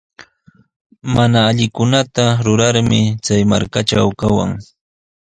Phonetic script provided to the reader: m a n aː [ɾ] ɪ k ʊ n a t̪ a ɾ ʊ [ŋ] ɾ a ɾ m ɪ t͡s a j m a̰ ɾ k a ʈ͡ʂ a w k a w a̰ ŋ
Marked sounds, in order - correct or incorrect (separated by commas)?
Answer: incorrect, incorrect